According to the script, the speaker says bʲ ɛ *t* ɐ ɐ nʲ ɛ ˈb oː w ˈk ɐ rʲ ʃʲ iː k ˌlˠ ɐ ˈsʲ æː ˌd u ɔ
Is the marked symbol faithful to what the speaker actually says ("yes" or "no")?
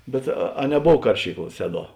yes